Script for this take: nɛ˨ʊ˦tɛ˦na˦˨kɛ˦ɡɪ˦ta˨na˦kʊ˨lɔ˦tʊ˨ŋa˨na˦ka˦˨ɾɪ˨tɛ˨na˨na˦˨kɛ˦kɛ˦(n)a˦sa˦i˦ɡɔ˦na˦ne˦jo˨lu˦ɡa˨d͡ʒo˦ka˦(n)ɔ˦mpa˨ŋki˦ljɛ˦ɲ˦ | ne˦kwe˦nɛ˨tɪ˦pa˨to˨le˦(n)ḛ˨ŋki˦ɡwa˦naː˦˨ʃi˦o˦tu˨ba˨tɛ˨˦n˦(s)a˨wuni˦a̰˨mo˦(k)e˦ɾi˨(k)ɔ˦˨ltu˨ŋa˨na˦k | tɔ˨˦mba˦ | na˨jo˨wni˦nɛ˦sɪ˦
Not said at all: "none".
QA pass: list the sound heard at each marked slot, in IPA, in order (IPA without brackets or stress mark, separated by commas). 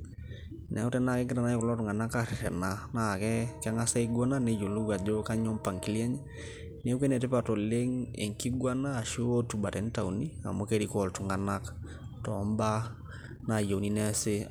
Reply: ŋ, ɲ, ŋ, t, k, k